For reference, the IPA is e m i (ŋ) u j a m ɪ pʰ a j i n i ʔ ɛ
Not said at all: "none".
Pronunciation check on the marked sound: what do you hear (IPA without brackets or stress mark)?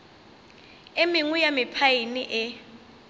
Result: ŋ